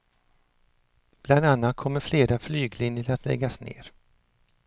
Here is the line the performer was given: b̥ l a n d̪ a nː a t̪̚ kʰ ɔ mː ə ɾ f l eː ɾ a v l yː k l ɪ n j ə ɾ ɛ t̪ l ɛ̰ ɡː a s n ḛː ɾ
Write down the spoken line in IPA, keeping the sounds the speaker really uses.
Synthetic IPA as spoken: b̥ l a n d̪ a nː a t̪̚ kʰ ɔ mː ə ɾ f l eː ɾ a f l yː ɡ l ɪ n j ə ɾ a t̪ l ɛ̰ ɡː a s n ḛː ɾ